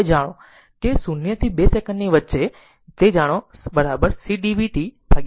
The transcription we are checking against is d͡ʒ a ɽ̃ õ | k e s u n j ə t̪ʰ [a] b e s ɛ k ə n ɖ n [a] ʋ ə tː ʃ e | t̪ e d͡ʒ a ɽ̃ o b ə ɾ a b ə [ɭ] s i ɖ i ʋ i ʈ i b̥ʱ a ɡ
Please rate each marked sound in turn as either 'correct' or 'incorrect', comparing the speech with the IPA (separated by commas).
incorrect, incorrect, incorrect